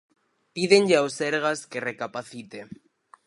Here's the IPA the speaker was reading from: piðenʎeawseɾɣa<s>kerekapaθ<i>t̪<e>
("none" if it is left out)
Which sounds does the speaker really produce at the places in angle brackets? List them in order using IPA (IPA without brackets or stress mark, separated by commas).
s, i, e